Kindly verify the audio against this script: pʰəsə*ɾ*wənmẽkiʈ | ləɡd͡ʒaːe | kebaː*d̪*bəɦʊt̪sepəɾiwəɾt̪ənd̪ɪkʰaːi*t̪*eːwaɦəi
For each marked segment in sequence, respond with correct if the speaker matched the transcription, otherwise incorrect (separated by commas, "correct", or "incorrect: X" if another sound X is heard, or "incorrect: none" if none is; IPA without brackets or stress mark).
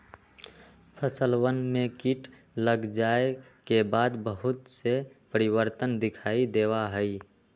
incorrect: l, correct, incorrect: d̪